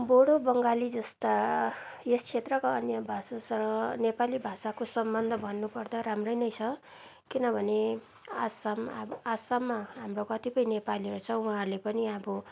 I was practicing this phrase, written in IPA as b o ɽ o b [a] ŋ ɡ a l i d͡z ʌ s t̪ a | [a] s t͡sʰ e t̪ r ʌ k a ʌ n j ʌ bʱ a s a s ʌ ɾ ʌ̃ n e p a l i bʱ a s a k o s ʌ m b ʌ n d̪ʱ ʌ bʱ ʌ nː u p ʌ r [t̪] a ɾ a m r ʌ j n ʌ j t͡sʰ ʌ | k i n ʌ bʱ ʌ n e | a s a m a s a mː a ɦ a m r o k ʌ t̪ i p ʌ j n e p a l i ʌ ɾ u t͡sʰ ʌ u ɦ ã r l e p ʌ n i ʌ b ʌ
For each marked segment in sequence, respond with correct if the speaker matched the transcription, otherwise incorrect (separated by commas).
incorrect, incorrect, incorrect